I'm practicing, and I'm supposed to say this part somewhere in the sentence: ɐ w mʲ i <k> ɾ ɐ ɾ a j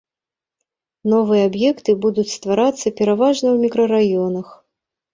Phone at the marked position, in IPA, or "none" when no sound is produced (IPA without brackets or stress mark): k